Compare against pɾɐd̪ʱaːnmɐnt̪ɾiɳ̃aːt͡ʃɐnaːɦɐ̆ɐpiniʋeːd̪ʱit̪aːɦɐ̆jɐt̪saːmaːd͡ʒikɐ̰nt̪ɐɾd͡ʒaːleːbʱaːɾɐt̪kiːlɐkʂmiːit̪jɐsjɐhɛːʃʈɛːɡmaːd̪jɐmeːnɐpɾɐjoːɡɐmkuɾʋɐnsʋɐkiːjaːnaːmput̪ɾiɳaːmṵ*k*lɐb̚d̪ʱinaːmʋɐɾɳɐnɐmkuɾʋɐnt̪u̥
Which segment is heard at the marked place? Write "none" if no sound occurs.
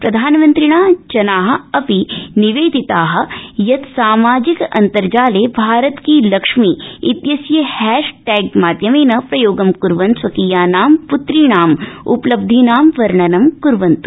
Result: p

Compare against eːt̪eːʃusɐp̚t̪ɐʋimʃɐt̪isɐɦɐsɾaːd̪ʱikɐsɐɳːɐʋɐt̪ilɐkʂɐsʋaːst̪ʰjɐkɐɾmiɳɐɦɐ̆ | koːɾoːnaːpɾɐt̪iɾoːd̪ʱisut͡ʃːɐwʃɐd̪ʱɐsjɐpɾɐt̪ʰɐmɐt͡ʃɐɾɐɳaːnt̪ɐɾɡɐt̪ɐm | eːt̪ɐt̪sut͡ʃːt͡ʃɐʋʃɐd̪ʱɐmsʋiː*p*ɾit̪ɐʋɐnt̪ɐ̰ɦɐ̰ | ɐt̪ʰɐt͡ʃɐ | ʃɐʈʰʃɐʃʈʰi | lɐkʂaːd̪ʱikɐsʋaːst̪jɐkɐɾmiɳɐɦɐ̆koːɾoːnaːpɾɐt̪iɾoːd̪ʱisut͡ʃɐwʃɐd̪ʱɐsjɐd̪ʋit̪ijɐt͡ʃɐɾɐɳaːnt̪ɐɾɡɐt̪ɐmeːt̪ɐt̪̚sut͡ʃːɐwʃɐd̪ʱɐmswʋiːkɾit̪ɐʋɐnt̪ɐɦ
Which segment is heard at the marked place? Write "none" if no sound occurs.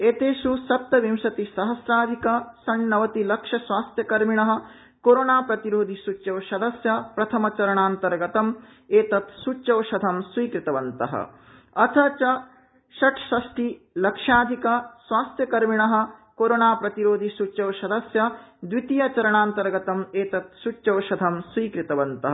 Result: k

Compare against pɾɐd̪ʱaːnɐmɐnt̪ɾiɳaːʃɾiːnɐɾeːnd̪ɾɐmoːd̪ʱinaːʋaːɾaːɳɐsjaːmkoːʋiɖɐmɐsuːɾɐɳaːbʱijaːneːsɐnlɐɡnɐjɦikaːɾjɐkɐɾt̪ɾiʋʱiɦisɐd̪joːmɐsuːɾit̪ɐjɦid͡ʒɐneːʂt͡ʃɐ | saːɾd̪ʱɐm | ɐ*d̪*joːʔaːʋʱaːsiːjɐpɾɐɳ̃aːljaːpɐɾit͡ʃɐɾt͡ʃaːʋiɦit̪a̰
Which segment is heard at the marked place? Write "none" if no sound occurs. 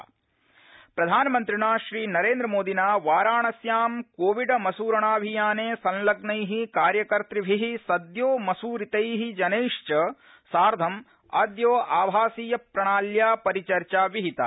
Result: d̪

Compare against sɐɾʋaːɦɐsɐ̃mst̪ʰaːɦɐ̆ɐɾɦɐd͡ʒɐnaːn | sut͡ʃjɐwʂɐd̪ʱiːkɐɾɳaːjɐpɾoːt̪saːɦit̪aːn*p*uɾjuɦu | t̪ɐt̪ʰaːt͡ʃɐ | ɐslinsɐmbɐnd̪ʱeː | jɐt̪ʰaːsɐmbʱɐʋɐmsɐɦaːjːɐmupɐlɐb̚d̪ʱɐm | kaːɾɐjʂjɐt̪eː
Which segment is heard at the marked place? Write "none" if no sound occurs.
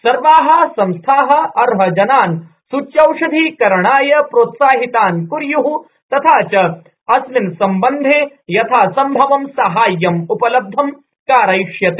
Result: k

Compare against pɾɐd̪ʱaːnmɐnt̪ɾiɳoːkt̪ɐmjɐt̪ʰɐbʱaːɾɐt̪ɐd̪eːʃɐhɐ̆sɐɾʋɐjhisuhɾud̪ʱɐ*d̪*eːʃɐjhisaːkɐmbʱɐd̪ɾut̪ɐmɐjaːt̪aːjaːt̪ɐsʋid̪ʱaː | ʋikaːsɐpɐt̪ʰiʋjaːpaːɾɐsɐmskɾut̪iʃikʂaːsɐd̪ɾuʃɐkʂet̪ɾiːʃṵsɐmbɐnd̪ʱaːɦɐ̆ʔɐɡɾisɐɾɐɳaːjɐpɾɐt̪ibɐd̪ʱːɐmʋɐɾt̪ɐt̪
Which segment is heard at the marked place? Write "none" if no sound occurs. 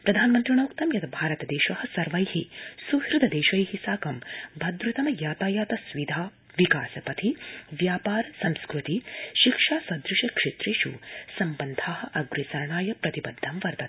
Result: d̪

